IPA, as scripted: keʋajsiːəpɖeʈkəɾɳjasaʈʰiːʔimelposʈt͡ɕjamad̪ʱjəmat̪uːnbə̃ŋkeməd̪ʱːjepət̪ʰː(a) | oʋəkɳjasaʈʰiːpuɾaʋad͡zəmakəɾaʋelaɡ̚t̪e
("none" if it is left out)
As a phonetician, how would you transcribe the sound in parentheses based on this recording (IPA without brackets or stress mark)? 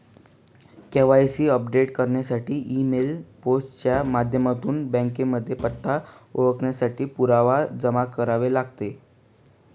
a